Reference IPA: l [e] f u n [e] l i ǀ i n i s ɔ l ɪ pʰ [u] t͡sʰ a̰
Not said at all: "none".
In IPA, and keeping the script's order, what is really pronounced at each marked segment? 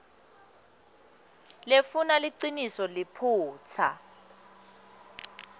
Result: e, a, uː

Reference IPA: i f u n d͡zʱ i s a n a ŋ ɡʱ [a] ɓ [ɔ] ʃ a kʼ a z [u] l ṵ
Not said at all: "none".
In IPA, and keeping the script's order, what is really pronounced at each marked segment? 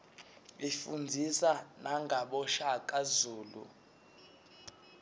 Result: a, ɔ, uː

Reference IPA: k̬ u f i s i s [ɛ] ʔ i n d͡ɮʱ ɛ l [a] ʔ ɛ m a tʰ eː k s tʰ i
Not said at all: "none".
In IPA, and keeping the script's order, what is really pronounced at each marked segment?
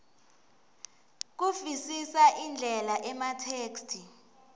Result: a, a

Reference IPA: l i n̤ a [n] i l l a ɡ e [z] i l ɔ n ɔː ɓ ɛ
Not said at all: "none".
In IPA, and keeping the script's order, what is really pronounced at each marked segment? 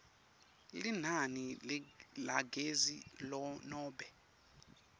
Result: n, z

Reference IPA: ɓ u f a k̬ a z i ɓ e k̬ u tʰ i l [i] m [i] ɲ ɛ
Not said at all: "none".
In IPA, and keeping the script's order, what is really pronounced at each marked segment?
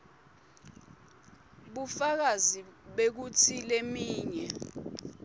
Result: e, iː

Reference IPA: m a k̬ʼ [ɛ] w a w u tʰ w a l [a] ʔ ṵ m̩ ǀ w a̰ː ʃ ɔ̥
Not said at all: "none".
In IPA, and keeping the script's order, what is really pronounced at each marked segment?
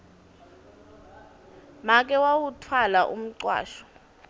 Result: ɛ, a

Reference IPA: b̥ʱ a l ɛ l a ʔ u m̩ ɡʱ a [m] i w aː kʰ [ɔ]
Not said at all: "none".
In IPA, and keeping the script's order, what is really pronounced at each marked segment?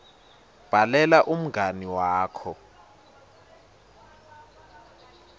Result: n, ɔ

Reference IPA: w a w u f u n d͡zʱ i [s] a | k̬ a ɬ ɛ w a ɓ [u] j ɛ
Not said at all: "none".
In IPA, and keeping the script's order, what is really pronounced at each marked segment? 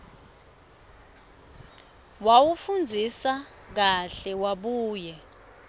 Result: s, uː

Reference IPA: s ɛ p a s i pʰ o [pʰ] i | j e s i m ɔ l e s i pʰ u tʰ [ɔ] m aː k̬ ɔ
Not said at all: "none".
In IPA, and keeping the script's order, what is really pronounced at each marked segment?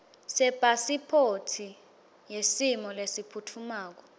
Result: tʰ, u

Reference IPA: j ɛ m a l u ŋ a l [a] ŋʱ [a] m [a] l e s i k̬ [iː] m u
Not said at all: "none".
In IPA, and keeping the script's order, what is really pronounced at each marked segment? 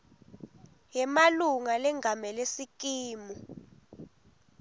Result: ɛ, a, ɛ, iː

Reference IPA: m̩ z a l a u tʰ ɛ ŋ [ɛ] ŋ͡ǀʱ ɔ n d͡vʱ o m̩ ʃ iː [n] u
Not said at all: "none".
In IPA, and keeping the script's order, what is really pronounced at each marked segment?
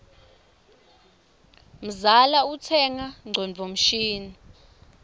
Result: a, n

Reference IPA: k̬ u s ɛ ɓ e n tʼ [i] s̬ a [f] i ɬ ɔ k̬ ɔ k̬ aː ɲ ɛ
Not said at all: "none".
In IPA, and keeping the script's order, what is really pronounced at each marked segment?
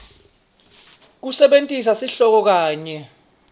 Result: i, s

